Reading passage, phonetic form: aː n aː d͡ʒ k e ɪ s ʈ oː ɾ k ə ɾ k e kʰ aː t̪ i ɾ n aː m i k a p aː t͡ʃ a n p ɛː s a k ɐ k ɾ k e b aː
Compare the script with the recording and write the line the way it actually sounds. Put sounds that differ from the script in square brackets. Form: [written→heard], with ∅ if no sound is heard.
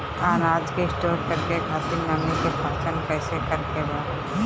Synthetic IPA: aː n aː d͡ʒ k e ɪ s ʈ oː ɾ k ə ɾ k e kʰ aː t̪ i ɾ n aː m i k [a→e] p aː t͡ʃ [a→ə] n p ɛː s [a→e] k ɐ [k→∅] ɾ k e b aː